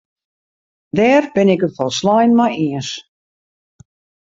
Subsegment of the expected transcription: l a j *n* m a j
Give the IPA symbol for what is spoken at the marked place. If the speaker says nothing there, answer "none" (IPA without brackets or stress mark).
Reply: n